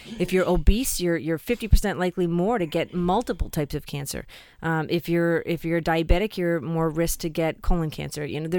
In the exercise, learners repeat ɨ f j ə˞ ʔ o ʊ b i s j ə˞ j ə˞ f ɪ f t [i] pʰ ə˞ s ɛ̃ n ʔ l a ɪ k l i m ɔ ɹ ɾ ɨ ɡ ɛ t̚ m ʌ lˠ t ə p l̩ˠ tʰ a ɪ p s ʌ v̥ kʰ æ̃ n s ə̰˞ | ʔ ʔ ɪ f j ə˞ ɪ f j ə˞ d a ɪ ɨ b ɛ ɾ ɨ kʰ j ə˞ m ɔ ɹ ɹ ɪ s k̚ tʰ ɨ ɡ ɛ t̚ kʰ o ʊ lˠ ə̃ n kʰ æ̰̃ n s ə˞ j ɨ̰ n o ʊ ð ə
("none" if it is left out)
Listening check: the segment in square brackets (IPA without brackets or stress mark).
i